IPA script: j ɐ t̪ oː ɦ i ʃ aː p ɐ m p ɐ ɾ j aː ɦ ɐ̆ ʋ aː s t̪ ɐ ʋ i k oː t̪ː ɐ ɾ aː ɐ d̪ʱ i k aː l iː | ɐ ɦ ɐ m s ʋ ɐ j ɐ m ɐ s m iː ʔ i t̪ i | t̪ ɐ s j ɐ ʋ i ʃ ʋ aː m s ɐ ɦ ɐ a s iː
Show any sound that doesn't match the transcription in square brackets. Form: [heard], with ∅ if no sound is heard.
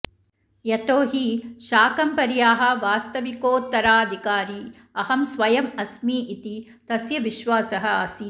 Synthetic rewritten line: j ɐ t̪ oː ɦ i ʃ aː [k] ɐ m p ɐ ɾ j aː ɦ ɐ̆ ʋ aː s t̪ ɐ ʋ i k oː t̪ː ɐ ɾ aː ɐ d̪ʱ i k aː [ɾ] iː | ɐ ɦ ɐ m s ʋ ɐ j ɐ m ɐ s m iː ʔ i t̪ i | t̪ ɐ s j ɐ ʋ i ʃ ʋ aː [∅] s ɐ ɦ ɐ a s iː